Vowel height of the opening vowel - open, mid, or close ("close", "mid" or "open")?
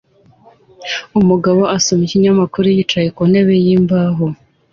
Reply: close